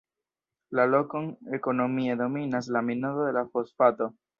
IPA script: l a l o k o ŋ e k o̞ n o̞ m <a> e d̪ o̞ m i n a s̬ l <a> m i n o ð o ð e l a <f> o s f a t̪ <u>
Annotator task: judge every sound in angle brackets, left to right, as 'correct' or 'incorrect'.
incorrect, correct, correct, incorrect

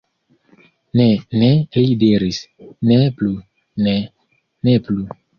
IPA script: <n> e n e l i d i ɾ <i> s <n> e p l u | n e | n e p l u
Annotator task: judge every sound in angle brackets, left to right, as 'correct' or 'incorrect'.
correct, correct, correct

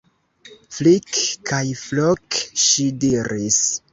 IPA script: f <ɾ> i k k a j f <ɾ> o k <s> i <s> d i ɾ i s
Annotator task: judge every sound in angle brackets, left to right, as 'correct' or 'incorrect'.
incorrect, incorrect, incorrect, incorrect

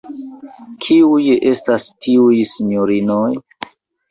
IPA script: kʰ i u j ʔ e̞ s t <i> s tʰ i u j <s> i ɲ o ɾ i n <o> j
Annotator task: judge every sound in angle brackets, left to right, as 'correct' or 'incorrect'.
incorrect, correct, correct

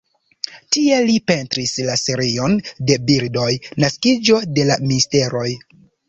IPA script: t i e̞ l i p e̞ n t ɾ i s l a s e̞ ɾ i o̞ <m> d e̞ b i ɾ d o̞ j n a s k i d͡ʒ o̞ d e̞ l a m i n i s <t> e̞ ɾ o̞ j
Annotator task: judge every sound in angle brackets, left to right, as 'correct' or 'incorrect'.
incorrect, correct

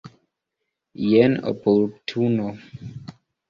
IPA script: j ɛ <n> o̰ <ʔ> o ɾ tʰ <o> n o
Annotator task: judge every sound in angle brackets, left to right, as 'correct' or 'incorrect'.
correct, incorrect, incorrect

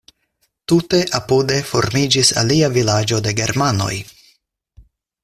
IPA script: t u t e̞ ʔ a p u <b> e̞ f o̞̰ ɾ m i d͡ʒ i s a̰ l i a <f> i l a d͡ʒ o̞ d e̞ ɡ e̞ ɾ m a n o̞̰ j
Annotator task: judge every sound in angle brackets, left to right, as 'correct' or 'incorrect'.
incorrect, incorrect

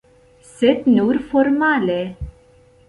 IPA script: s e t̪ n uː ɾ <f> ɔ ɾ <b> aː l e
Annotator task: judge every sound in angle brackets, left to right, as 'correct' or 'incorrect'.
correct, incorrect

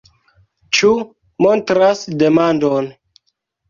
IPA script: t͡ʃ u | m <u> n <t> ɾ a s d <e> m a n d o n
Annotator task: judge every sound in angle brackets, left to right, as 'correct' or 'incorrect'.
incorrect, correct, correct

